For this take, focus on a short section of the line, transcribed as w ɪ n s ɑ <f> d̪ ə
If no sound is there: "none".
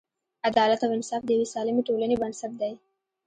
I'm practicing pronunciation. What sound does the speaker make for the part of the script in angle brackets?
f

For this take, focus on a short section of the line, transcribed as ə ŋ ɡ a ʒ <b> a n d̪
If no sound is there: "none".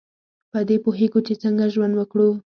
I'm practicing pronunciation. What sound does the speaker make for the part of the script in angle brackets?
w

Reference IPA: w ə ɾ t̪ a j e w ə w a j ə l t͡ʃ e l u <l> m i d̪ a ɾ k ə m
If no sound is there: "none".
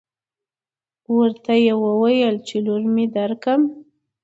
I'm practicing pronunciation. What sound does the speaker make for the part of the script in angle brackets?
ɾ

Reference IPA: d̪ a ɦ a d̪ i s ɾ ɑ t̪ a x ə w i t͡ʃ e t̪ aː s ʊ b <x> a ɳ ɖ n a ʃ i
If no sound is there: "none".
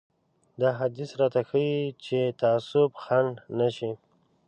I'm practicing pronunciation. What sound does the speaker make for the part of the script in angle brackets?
x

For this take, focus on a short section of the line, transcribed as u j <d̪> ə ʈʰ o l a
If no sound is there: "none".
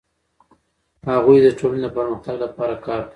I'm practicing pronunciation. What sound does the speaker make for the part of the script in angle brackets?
d̪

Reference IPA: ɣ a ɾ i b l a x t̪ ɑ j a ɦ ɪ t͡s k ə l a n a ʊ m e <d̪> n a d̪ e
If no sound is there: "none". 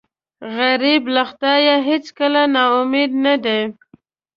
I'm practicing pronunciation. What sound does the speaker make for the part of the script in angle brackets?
d̪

